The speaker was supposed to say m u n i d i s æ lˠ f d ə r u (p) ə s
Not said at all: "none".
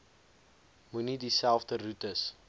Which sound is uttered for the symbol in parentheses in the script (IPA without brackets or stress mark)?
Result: t